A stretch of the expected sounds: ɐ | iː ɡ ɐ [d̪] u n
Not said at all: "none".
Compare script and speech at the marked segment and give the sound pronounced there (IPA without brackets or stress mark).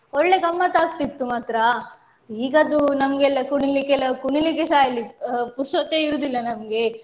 d̪